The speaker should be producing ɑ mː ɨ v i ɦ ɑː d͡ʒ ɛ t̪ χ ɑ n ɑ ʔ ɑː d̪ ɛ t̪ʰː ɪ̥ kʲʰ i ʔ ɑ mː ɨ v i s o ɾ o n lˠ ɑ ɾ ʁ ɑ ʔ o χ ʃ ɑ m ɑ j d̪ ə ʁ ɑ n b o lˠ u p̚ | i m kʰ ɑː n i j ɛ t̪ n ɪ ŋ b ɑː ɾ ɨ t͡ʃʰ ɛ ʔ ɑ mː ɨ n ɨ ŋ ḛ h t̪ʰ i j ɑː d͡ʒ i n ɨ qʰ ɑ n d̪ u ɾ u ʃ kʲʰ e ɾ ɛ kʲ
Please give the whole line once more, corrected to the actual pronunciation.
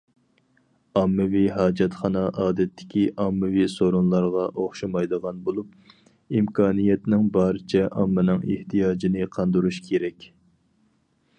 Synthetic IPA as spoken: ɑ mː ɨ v i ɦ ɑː d͡ʒ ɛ t̪ χ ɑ n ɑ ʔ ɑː d̪ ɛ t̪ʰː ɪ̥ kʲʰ i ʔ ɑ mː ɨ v i s o ɾ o n lˠ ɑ ɾ ʁ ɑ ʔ o χ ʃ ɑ m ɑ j d̪ ə ʁ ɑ n b o lˠ u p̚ | i m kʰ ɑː n i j ɛ t̪ n ɪ ŋ b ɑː ɾ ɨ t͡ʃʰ ɛ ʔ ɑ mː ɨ n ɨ ŋ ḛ h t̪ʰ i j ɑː d͡ʒ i n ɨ qʰ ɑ n d̪ u ɾ u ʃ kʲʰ e ɾ ɛ kʲ